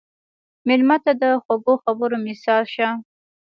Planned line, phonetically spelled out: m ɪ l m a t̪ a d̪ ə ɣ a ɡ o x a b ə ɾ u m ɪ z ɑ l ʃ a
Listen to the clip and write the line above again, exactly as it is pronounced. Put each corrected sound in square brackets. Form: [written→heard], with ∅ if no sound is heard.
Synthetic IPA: m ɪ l m a t̪ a d̪ ə [ɣ→x] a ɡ o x a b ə ɾ [u→o] m ɪ [z→s] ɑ l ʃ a